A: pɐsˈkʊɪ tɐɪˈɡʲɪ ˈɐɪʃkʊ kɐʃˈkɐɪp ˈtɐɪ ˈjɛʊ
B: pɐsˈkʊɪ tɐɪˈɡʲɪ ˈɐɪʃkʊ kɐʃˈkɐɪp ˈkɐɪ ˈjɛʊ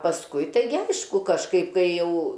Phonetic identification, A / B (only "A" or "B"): B